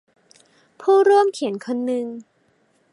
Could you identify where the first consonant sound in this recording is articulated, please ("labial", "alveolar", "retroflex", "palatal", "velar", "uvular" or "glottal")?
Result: labial